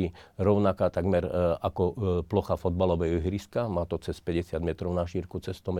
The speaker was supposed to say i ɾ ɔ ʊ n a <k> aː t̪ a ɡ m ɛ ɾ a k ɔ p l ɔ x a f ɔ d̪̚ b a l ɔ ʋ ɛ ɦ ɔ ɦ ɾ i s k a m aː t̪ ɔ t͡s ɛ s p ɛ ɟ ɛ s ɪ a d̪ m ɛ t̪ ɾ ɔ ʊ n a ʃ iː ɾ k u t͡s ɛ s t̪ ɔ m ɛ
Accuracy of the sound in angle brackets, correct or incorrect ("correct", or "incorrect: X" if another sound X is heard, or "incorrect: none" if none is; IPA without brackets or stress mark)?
correct